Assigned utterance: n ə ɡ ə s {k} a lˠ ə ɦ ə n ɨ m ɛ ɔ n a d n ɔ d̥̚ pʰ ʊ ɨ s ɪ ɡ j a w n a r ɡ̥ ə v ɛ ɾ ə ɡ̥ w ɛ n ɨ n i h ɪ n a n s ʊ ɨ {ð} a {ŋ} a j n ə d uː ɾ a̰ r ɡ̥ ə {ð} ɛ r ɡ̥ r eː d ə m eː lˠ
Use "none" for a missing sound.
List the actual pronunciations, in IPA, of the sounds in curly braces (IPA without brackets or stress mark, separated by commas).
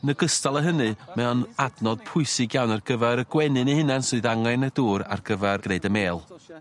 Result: t, ð, ŋ, v